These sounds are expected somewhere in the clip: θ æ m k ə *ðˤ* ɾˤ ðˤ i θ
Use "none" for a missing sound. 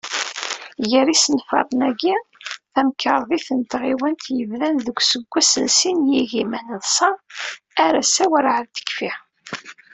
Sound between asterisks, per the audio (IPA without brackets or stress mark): none